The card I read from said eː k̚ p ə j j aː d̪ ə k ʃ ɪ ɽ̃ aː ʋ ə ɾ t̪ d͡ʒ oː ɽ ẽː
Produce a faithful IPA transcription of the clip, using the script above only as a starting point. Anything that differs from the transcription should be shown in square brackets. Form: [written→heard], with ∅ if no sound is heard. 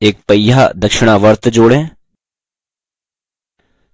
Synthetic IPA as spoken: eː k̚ p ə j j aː d̪ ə k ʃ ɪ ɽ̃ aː ʋ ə ɾ t̪ d͡ʒ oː ɽ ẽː